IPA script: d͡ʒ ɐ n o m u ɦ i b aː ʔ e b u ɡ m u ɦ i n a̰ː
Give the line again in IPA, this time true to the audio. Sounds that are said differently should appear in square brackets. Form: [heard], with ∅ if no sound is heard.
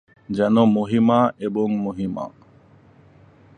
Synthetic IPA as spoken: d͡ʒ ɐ n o m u ɦ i [m] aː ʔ e b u [ŋ] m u ɦ i [m] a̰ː